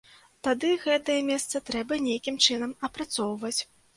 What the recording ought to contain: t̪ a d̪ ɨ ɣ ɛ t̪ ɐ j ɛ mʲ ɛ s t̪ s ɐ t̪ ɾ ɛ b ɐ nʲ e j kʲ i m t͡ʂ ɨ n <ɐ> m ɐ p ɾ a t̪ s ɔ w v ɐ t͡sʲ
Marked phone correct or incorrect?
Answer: correct